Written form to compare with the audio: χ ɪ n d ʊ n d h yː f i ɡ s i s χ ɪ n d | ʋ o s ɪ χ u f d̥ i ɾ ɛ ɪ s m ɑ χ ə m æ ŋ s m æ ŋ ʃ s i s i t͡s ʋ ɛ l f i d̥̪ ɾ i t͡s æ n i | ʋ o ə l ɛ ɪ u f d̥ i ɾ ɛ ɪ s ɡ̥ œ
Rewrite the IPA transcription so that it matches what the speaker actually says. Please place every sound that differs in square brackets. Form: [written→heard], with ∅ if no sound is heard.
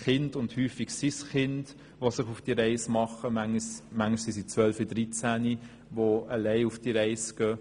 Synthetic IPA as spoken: χ ɪ n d ʊ n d h yː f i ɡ s i s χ ɪ n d | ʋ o s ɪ χ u f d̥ i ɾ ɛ ɪ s m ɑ χ ə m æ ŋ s m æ ŋ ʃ s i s i t͡s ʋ [ɛ→œ] l f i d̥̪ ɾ i t͡s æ n i | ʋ o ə l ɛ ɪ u f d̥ i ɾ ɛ ɪ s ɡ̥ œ